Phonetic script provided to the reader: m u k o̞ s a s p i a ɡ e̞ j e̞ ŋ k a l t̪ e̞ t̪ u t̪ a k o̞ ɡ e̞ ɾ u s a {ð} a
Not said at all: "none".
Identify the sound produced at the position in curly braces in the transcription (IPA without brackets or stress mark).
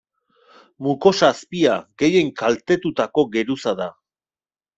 ð